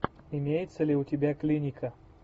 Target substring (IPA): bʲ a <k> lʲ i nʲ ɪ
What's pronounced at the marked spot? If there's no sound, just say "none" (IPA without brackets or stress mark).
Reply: k